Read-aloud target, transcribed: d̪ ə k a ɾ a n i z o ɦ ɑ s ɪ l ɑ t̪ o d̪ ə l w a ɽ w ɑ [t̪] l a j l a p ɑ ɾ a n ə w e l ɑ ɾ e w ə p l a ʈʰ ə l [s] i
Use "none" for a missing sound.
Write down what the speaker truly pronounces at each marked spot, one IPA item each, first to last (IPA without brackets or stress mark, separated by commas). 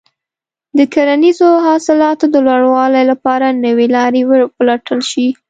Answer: none, ʃ